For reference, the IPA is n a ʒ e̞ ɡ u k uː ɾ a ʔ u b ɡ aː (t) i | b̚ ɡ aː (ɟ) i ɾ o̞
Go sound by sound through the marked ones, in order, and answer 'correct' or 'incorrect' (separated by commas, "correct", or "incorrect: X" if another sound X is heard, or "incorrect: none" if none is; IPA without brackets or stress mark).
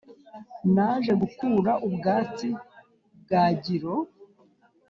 incorrect: t͡s, correct